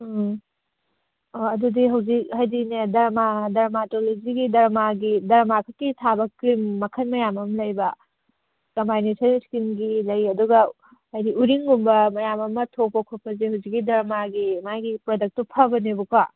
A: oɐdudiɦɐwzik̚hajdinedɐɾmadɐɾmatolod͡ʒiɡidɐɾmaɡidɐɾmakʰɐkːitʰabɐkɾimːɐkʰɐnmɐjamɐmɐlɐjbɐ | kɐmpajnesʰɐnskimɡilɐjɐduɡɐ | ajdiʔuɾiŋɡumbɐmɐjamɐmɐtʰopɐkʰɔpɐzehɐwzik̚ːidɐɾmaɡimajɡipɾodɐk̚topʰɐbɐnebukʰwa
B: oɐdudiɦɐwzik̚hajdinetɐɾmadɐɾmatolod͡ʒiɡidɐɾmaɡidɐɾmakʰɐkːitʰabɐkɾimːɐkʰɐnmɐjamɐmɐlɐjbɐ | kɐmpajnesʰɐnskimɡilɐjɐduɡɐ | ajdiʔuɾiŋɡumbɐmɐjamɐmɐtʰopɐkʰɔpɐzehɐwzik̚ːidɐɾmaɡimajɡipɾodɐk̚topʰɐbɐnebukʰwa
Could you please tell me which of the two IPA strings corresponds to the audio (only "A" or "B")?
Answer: A